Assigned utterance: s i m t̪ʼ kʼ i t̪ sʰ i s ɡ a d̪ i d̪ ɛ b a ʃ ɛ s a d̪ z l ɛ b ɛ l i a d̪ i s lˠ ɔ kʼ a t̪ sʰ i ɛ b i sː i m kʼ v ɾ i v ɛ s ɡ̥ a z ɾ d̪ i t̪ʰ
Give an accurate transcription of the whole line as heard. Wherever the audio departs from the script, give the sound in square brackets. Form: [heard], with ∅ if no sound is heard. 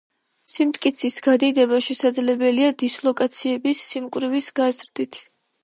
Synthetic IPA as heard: s i m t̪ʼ kʼ i t̪ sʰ i s ɡ a d̪ i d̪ ɛ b a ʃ ɛ s a d̪ z l ɛ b ɛ l i a d̪ i s lˠ ɔ kʼ a t̪ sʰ i ɛ b i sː i m kʼ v ɾ i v [i] s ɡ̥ a z ɾ d̪ i t̪ʰ